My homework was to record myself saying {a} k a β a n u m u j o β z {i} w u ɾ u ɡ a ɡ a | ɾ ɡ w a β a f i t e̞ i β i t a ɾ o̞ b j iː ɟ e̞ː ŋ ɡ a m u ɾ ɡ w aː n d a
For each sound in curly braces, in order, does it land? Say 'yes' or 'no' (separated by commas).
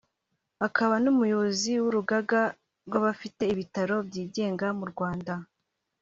yes, yes